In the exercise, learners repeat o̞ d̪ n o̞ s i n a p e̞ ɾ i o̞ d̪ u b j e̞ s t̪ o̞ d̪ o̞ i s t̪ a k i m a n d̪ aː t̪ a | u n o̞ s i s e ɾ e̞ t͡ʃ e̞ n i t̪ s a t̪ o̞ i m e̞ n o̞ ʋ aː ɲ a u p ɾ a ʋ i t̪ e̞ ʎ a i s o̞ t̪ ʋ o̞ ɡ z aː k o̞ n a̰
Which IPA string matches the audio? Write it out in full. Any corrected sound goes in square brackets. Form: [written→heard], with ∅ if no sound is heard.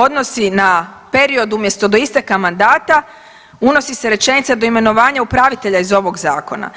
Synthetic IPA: o̞ d̪ n o̞ s i n a p e̞ ɾ i o̞ d̪ u [b→m] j e̞ s t̪ o̞ d̪ o̞ i s t̪ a k [i→a] m a n d̪ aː t̪ a | u n o̞ s i s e ɾ e̞ t͡ʃ e̞ n i t̪ s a [t̪→d̪] o̞ i m e̞ n o̞ ʋ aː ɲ a u p ɾ a ʋ i t̪ e̞ ʎ a i [s→z] o̞ [t̪→∅] ʋ o̞ ɡ z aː k o̞ n a̰